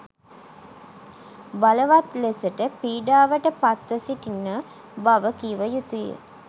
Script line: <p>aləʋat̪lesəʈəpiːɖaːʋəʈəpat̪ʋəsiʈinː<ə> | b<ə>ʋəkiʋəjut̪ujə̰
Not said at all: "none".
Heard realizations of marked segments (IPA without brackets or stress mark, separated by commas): b, ə, a